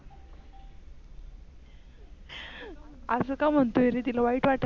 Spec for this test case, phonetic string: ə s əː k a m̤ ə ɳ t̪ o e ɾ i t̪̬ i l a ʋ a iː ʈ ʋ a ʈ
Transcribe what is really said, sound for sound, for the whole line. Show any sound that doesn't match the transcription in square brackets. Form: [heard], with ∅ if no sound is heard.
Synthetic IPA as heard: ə s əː k a m̤ ə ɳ t̪ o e ɾ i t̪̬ i l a ʋ a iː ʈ ʋ a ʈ

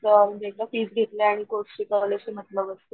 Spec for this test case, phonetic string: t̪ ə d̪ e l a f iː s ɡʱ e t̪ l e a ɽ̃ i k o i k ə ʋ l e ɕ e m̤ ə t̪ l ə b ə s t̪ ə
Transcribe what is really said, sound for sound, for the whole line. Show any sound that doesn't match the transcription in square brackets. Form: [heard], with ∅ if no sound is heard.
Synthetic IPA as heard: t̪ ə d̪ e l a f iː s ɡʱ e t̪ l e a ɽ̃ i k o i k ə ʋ l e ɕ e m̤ ə t̪ l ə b ə s t̪ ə

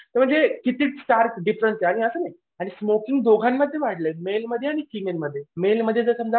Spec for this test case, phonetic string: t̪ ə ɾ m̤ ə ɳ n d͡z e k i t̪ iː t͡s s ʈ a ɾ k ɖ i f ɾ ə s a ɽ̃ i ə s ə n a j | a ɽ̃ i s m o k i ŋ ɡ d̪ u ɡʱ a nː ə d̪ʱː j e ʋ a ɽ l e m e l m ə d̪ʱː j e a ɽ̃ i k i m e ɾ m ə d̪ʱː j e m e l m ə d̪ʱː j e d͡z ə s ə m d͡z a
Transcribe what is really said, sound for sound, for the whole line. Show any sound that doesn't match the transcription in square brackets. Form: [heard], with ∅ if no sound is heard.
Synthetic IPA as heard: t̪ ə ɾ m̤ ə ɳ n d͡z e k i t̪ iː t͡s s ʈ a ɾ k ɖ i f ɾ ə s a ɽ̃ i ə s ə n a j | a ɽ̃ i s m o k i ŋ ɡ d̪ [o] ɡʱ a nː ə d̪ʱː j e ʋ a ɽ l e m e l m ə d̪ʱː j e a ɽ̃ i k i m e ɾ m ə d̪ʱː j e m e l m ə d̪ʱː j e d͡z ə s ə m d͡z a

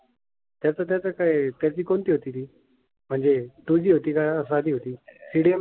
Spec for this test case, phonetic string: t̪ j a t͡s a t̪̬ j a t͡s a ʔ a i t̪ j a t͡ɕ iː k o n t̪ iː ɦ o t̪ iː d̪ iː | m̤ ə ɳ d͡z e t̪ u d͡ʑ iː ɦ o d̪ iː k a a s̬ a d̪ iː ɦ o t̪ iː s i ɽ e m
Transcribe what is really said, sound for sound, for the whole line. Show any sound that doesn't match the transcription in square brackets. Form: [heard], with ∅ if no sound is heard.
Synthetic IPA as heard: t̪ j a t͡s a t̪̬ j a t͡s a [k] a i t̪ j a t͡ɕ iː k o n t̪ iː ɦ o t̪ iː [t̪] iː | m̤ ə ɳ d͡z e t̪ u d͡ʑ iː ɦ o [t̪] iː k a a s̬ a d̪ iː ɦ o t̪ iː s i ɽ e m

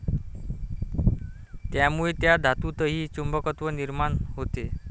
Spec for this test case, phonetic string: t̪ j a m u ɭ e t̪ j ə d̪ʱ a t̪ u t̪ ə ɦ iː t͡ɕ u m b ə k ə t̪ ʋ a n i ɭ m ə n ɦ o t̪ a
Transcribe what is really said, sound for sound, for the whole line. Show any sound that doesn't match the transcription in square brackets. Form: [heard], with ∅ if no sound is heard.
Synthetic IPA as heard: t̪ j a m u ɭ e t̪ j [a] d̪ʱ a t̪ u t̪ ə ɦ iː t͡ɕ u m b ə k ə t̪ ʋ [ə] n i [ɾ] m [a] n ɦ o t̪ [e]

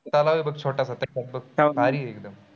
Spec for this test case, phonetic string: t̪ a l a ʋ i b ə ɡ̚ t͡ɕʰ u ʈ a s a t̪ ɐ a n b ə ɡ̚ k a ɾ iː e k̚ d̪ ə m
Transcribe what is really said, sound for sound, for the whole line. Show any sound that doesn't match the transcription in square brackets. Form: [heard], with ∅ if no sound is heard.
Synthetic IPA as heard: t̪ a l a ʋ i b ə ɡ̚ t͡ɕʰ [o] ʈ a s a t̪ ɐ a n b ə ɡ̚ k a ɾ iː e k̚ d̪ ə m

